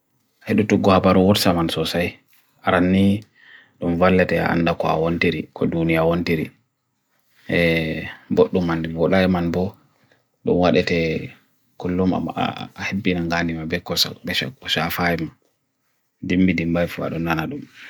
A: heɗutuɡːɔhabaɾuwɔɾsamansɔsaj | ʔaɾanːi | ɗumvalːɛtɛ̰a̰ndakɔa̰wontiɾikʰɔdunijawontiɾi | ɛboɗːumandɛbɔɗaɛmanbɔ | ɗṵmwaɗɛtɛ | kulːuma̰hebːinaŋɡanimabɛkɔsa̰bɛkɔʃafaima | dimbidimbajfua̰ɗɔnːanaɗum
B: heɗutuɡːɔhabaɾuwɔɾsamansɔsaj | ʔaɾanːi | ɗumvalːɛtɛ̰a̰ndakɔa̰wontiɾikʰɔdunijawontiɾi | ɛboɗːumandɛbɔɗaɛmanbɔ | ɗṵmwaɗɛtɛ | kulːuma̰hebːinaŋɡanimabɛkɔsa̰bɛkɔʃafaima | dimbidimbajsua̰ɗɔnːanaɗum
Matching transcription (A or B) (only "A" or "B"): A